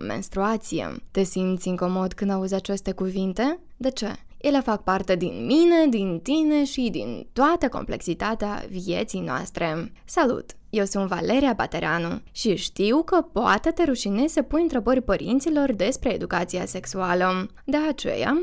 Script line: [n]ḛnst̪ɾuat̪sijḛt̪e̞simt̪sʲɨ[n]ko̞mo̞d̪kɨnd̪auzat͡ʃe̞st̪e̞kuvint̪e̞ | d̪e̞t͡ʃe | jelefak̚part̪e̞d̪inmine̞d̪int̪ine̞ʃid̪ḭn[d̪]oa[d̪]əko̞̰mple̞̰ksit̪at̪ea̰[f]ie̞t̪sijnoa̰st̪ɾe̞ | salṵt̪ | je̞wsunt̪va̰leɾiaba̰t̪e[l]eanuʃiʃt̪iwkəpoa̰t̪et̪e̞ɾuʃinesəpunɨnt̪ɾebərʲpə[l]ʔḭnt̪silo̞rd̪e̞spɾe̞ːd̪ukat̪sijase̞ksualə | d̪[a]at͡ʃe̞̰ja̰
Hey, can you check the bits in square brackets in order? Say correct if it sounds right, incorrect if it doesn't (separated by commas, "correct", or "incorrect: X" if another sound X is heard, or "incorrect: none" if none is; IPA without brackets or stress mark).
incorrect: m, incorrect: ŋ, incorrect: t̪, incorrect: t̪, incorrect: v, incorrect: ɾ, incorrect: ɾ, incorrect: e